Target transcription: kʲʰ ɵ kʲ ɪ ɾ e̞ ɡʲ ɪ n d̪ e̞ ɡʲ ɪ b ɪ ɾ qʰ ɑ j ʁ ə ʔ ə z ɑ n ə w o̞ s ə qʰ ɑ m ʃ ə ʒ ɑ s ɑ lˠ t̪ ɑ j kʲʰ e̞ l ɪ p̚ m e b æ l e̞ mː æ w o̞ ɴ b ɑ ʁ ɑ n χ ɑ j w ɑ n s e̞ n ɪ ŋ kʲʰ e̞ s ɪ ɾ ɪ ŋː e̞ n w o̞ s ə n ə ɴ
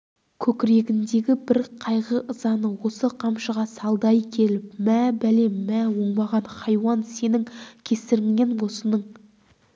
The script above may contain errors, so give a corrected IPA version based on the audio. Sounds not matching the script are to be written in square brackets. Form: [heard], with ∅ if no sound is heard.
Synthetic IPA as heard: kʲʰ ɵ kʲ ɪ ɾ e̞ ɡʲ ɪ n d̪ e̞ ɡʲ ɪ b ɪ ɾ qʰ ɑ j ʁ ə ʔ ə z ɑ n ə w o̞ s ə qʰ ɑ m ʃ ə [ʁ] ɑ s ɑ lˠ [d̪] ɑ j kʲʰ e̞ l ɪ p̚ m [æ] b æ l e̞ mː æ w o̞ ɴ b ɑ ʁ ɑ n χ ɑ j w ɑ n s e̞ n ɪ ŋ kʲʰ e̞ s ɪ ɾ ɪ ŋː e̞ n w o̞ s ə n ə ɴ